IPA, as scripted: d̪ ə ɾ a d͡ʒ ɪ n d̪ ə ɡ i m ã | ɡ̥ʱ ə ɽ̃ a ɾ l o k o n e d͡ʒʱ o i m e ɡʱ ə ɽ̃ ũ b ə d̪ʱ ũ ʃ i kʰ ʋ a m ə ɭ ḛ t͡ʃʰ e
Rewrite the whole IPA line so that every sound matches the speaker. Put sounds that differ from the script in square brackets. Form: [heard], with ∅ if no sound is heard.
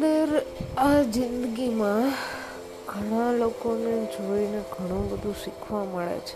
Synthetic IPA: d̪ ə ɾ a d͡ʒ ɪ n d̪ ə ɡ i m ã | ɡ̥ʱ ə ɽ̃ a [∅] l o k o n e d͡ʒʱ o i [n] e ɡʱ ə ɽ̃ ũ b ə d̪ʱ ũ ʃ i kʰ ʋ a m ə ɭ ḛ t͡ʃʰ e